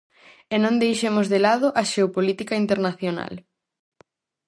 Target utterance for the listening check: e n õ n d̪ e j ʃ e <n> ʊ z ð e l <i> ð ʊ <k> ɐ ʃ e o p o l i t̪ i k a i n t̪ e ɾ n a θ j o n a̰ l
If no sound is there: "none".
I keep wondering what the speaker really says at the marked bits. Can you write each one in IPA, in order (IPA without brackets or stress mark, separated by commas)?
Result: m, a, ʔ